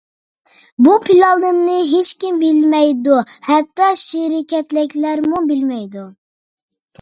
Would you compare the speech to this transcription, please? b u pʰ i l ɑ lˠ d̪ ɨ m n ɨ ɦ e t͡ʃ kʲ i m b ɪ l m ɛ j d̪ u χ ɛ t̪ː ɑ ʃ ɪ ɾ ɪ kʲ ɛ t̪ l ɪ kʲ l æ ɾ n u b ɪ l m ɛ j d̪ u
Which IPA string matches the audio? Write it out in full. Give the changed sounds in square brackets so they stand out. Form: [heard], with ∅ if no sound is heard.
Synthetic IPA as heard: b u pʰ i l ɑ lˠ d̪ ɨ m n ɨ ɦ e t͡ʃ kʲ i m b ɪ l m ɛ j d̪ u [h] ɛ t̪ː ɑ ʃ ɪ ɾ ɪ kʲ ɛ t̪ l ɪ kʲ l æ ɾ [m] u b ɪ l m ɛ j d̪ u